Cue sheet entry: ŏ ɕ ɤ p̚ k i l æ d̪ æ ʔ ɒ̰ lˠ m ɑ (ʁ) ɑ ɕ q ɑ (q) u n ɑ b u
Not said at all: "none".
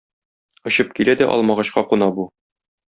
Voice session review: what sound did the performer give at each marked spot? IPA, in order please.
ʁ, q

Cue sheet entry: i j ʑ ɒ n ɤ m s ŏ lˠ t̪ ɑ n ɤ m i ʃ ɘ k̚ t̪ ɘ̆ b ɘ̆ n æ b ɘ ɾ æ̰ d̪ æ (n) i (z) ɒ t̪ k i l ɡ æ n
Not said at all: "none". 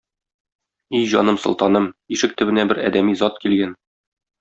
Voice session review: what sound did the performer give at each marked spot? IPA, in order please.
m, z

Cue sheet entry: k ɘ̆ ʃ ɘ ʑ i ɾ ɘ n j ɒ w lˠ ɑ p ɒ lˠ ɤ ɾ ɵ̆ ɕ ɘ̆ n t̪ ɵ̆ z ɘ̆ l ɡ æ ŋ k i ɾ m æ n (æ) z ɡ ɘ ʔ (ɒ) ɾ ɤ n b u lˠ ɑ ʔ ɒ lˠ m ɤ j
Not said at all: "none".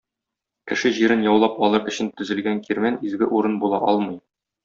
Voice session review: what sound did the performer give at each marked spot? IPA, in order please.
i, u

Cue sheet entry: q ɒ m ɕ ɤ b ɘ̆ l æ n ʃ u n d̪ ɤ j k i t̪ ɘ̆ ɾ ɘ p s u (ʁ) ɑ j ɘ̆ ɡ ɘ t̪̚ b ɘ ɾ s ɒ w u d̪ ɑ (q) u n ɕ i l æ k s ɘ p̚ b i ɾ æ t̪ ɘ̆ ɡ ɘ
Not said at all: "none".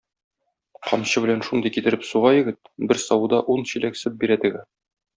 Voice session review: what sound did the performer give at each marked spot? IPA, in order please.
ʁ, ʔ

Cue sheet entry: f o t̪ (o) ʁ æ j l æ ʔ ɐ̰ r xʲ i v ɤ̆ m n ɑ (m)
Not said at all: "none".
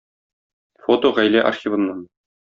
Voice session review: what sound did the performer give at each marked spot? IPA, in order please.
o, n

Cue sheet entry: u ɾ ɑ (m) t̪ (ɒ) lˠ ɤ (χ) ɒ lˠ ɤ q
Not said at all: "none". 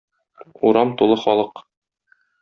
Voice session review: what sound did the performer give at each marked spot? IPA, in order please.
m, u, χ

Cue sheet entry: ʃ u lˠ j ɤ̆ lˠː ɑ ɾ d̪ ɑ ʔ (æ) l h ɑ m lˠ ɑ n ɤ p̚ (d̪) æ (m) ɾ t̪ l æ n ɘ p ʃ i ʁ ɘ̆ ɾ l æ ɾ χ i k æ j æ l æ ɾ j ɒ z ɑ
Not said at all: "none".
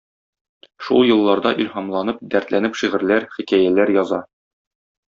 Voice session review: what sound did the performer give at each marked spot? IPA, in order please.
i, d̪, none

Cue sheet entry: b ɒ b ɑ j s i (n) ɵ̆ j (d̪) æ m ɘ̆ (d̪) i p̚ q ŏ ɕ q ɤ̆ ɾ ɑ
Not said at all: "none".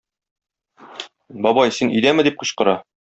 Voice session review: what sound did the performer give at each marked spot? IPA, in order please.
n, d̪, d̪

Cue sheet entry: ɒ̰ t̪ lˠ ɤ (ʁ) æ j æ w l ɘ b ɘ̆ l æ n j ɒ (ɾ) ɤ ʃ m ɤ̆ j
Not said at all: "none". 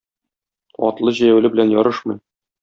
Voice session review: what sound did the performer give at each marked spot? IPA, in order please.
ʑ, ɾ

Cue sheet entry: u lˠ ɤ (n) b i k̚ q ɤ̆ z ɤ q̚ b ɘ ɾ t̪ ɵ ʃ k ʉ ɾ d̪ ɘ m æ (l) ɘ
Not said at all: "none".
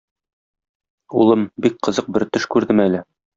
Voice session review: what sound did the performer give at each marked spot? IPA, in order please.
m, l

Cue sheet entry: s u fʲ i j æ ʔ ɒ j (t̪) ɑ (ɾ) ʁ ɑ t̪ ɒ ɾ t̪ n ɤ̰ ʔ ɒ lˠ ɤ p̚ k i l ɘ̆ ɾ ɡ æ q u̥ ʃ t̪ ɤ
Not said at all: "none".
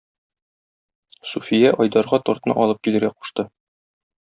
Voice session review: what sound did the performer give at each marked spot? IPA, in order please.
d̪, ɾ

